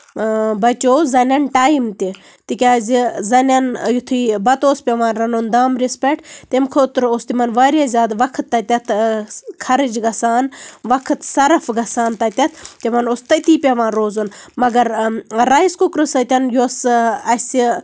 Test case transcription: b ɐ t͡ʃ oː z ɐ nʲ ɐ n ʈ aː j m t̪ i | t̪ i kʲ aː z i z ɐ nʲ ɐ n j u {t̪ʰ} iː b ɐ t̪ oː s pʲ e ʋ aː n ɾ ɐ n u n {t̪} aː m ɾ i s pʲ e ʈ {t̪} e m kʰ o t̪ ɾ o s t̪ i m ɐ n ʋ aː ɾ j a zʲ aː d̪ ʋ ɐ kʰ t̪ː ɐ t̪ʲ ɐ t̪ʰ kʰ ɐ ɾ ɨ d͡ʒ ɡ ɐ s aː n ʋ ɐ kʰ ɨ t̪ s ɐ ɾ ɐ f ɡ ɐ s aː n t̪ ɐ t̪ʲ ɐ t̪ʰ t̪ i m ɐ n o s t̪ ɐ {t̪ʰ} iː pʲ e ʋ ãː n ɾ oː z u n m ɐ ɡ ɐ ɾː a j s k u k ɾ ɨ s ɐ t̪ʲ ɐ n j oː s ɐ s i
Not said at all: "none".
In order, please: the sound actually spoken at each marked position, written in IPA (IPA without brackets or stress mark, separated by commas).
t̪ʰ, d̪, t̪, t̪